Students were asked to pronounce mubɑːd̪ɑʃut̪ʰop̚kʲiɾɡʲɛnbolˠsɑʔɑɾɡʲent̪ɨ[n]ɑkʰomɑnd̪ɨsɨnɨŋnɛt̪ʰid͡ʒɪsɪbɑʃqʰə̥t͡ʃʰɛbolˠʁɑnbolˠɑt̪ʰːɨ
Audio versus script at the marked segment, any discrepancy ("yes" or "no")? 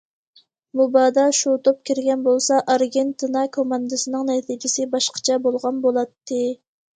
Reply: no